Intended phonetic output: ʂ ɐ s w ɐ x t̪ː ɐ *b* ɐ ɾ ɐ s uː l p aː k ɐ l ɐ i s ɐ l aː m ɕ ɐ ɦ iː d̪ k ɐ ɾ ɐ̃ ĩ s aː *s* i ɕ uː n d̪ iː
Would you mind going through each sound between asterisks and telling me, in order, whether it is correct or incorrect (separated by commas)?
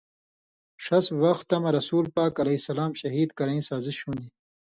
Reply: incorrect, incorrect